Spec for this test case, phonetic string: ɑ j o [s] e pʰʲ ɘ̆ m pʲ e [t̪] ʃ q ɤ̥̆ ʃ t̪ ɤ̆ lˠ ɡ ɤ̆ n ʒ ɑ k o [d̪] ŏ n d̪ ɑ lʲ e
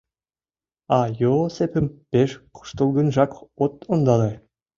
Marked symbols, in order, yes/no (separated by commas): yes, no, no